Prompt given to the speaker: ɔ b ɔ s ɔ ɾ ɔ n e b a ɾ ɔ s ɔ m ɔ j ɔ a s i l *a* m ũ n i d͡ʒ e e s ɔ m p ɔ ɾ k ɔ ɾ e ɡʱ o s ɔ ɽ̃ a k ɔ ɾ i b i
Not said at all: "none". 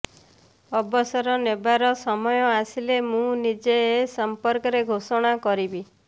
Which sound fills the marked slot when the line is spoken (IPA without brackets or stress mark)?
e